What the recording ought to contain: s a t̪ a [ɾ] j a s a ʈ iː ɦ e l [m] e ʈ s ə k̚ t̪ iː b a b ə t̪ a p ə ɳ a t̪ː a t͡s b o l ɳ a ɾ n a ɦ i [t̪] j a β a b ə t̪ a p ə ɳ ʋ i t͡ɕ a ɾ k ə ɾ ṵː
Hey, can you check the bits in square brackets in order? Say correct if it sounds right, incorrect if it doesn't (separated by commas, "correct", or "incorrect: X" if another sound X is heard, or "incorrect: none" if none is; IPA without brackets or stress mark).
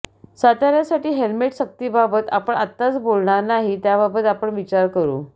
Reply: correct, correct, correct